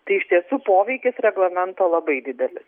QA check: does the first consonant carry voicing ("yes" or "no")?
no